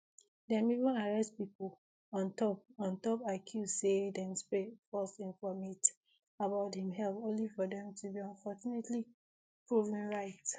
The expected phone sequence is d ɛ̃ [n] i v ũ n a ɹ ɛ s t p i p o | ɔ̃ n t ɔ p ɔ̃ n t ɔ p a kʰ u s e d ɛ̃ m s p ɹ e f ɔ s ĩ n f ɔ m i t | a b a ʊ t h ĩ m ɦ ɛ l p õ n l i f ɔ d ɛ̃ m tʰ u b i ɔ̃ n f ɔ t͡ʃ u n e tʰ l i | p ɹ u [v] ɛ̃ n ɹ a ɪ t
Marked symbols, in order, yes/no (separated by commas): no, yes